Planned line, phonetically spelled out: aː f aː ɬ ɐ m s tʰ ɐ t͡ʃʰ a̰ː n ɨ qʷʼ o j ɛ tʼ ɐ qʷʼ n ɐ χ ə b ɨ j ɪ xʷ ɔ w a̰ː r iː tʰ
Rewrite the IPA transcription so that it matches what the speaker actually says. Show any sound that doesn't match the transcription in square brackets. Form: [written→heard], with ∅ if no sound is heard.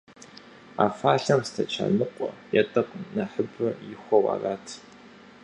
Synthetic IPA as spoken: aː f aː ɬ ɐ m s tʰ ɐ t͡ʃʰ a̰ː n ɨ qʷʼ [o→ɔ] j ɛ tʼ ɐ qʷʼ n ɐ [χ→ħ] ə b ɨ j ɪ xʷ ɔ w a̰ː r [iː→aː] tʰ